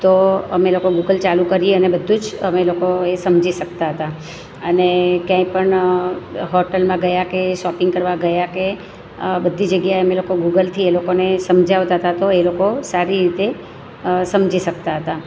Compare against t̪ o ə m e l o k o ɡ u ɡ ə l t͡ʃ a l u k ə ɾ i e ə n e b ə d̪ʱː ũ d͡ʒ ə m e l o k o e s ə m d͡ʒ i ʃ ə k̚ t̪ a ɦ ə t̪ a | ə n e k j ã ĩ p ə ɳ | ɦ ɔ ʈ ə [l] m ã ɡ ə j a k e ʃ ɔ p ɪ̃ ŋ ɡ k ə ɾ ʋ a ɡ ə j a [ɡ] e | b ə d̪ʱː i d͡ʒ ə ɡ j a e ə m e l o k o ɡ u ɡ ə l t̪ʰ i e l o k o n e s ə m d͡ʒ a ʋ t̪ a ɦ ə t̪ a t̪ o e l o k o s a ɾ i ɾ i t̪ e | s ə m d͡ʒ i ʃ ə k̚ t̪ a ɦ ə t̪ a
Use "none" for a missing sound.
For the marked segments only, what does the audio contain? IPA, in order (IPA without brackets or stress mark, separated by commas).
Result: l, k